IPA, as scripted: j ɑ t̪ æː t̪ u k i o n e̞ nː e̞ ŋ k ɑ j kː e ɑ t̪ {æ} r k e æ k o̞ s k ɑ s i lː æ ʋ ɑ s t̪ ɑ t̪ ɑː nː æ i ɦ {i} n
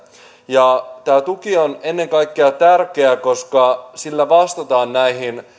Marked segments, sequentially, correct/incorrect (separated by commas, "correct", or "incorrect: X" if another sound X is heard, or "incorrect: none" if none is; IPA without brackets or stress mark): correct, correct